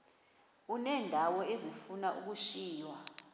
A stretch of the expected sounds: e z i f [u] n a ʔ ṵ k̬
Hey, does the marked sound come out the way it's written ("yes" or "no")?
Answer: yes